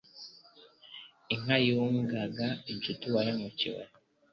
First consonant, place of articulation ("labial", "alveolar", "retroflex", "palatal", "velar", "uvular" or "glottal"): velar